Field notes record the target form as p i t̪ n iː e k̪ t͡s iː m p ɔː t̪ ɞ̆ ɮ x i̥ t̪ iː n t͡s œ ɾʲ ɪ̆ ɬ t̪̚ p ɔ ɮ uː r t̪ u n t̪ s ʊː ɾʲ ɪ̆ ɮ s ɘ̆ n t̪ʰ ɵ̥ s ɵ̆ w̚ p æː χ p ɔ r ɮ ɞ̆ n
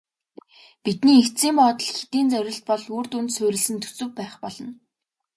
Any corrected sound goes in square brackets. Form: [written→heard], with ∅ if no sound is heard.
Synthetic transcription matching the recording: p i t̪ n iː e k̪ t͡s iː m p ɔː t̪ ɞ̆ ɮ x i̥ t̪ iː n t͡s œ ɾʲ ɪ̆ ɬ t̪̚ p ɔ ɮ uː r t̪ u n t̪ s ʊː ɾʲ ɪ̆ ɮ s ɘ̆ n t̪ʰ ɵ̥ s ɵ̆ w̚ p æː χ p ɔ [r→∅] ɮ ɞ̆ n